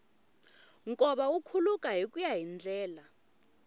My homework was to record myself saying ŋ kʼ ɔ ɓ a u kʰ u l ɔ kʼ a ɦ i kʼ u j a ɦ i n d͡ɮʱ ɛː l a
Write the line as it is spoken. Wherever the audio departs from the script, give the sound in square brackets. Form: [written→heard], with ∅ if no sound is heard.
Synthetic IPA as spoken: ŋ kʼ ɔ ɓ a u kʰ u l [ɔ→u] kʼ a ɦ i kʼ u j a ɦ i n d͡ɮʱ ɛː l a